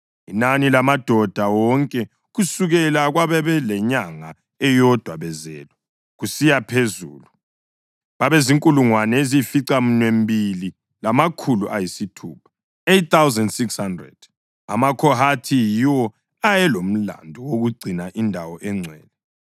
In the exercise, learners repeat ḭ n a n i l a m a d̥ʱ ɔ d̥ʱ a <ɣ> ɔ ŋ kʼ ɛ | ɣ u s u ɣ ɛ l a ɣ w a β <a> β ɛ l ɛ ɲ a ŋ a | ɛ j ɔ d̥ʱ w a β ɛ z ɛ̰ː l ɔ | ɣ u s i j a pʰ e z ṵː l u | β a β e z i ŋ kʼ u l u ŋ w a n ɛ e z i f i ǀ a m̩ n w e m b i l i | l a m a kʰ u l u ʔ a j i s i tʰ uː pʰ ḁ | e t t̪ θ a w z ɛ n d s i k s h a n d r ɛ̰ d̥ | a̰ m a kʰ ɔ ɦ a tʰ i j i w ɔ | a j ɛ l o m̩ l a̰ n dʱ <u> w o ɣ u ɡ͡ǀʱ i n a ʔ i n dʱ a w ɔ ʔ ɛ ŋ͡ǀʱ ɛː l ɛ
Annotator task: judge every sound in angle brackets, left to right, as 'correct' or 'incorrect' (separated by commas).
incorrect, incorrect, incorrect